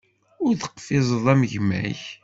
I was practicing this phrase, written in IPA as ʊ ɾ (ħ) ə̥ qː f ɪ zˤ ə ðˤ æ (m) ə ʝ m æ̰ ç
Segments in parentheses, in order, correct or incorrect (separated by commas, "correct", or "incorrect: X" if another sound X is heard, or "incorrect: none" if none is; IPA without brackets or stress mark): incorrect: θ, correct